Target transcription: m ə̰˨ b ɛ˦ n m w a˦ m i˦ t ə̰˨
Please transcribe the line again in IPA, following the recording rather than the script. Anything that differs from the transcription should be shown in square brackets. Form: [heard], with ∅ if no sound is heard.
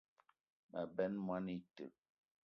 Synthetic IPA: m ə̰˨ b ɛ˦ n m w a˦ [n] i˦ t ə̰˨